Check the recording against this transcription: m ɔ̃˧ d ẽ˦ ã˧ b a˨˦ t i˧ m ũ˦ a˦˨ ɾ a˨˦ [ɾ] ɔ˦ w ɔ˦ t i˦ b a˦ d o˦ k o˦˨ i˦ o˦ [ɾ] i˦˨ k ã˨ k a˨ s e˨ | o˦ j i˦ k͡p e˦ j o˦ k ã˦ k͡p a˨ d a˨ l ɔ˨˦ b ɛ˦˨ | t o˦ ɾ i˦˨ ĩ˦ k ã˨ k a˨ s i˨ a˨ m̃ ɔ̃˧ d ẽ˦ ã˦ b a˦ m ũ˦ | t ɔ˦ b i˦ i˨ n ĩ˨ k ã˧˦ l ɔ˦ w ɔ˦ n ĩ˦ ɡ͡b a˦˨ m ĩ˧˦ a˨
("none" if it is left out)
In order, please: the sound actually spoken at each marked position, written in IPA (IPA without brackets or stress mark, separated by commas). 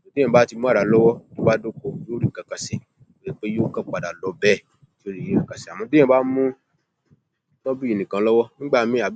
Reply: l, ɾ